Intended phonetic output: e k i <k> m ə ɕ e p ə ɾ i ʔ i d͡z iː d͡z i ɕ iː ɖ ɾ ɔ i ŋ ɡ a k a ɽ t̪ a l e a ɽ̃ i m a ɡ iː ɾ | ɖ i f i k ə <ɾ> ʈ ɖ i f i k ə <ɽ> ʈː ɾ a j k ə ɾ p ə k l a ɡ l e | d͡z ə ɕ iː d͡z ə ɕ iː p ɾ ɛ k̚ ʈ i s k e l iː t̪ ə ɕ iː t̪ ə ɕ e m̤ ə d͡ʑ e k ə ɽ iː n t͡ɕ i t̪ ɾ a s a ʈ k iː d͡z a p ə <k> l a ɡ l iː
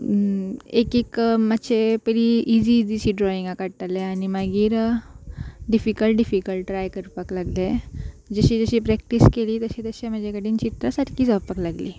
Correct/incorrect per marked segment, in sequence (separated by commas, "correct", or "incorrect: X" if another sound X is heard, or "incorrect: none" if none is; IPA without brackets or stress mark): correct, incorrect: l, incorrect: l, correct